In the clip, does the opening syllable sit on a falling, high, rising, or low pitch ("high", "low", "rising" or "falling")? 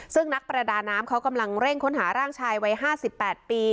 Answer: falling